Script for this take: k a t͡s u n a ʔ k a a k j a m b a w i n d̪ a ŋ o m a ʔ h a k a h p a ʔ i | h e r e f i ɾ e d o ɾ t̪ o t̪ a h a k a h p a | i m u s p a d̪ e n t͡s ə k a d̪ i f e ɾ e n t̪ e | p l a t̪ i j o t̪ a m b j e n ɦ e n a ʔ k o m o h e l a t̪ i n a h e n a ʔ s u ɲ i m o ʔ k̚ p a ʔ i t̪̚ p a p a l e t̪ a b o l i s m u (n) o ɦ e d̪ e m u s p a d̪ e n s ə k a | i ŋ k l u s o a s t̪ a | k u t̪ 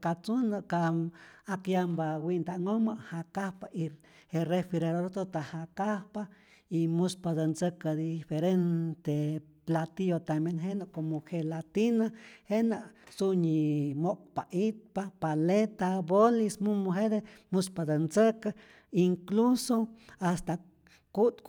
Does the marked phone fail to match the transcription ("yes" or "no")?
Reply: yes